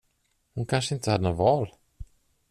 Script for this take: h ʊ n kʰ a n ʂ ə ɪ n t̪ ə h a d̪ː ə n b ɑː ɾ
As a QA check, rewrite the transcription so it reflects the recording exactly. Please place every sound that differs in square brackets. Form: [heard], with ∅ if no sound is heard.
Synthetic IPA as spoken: h ʊ n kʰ a n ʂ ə ɪ n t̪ ə h a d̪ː ə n [v] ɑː [l]

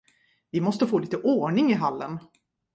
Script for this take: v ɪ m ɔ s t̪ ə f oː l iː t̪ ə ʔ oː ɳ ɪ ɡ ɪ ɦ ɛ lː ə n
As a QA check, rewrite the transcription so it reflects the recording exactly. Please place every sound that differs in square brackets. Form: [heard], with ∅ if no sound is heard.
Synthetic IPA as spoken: v ɪ m ɔ s t̪ ə f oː l iː t̪ ə ʔ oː ɳ ɪ [ŋ] ɪ ɦ [a] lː ə n

